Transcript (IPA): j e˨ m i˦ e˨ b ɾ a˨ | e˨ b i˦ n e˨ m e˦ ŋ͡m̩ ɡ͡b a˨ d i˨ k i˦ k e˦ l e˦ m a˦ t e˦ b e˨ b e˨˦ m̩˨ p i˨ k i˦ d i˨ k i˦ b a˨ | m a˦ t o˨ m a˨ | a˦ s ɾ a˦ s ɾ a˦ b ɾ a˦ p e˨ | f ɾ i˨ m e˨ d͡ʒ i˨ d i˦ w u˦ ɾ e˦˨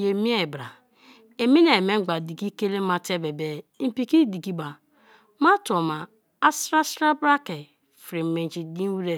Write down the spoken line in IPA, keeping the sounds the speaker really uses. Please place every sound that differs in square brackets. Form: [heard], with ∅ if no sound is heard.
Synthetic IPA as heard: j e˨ m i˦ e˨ b ɾ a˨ | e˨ [m] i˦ n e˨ m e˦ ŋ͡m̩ ɡ͡b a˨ d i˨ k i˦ k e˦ l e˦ m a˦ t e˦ b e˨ b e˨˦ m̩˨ p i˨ k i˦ d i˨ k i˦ b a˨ | m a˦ t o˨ m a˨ | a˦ s ɾ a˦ s ɾ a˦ b ɾ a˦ [k] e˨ | f ɾ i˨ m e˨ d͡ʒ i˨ d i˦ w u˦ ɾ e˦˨